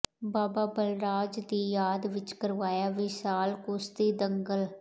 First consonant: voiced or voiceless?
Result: voiced